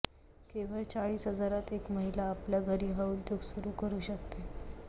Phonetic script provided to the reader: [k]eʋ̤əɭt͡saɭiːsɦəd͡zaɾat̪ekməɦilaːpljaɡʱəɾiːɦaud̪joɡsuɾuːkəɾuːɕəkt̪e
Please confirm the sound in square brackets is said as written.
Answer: yes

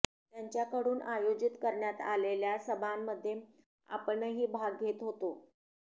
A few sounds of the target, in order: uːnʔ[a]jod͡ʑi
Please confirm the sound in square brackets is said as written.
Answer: yes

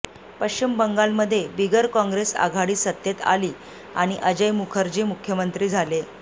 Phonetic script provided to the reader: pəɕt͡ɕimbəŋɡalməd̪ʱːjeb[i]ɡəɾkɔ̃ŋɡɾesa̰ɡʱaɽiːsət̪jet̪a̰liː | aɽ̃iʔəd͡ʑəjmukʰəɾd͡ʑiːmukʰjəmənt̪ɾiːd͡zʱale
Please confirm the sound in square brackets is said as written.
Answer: yes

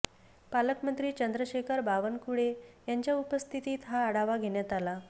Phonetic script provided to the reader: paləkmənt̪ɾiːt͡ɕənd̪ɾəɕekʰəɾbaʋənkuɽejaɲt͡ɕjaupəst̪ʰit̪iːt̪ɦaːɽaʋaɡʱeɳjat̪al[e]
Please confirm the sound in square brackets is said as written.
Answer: no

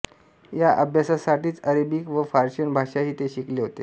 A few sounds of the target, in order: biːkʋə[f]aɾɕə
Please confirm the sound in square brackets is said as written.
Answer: yes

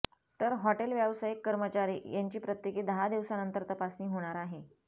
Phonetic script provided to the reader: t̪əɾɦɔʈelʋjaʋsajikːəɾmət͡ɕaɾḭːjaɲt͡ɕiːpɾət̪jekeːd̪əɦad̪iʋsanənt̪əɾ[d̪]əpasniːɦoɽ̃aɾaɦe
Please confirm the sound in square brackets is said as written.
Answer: no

